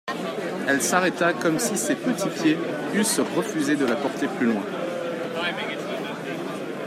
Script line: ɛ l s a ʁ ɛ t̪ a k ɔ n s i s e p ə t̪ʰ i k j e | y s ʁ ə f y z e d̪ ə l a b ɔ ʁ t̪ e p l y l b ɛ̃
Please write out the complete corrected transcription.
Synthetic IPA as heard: ɛ l s a ʁ ɛ t̪ a k ɔ m s i s e p ə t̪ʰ i p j e | y s ʁ ə f y z e d̪ ə l a p ɔ ʁ t̪ e p l y l w ɛ̃